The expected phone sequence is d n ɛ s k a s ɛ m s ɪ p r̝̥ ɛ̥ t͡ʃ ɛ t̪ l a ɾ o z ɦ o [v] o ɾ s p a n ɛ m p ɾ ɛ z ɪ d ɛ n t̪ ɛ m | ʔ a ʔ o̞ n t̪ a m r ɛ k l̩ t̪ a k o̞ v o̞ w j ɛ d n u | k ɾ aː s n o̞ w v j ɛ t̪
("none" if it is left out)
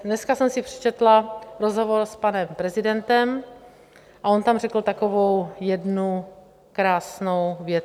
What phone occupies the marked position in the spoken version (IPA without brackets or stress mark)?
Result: v